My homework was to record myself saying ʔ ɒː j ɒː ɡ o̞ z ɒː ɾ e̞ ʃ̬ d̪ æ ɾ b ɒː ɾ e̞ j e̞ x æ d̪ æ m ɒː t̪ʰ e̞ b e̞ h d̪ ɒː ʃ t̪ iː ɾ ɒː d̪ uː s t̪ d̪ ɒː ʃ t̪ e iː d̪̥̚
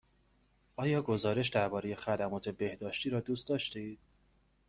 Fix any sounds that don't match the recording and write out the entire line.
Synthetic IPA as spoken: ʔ ɒː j ɒː ɡ o̞ z ɒː ɾ e̞ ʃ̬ d̪ æ ɾ b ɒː ɾ e̞ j e̞ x æ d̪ æ m ɒː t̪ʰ e̞ b e̞ h d̪ ɒː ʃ t̪ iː ɾ ɒː d̪ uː s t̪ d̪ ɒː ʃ t̪ e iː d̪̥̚